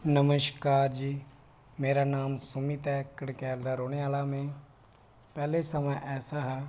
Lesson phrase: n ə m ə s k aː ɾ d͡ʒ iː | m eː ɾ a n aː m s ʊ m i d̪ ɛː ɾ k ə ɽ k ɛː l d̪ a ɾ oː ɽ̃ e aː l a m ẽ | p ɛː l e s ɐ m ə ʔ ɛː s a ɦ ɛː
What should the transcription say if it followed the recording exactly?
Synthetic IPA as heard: n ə m ə ʃ k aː ɾ d͡ʒ iː | m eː ɾ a n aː m s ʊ m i t̪ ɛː k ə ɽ k ɛː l d̪ a ɾ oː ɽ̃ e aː l a m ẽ | p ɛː l e s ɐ m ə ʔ ɛː s a ɦ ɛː